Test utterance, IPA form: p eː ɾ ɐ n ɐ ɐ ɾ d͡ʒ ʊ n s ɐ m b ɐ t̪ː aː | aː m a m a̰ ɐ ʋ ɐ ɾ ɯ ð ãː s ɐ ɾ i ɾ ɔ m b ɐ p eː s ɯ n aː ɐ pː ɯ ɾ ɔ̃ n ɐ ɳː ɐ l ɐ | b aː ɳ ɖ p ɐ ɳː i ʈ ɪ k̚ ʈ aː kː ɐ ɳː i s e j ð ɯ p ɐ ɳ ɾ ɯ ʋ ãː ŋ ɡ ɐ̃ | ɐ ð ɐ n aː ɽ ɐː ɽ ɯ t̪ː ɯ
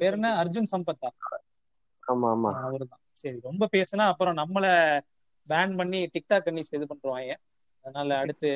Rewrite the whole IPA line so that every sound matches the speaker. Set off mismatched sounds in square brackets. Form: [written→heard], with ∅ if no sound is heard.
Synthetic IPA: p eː ɾ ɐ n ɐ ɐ ɾ d͡ʒ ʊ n s ɐ m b ɐ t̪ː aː | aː m a m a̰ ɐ ʋ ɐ ɾ ɯ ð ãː s ɐ ɾ i ɾ ɔ m b ɐ p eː s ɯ n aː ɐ pː ɯ ɾ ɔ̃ n ɐ [ɳː→mː] ɐ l ɐ | b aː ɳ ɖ p ɐ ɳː i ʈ ɪ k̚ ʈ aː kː ɐ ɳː i s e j ð ɯ p ɐ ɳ ɾ ɯ ʋ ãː ŋ ɡ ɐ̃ | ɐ ð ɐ n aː [ɽ→l] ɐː ɽ ɯ t̪ː ɯ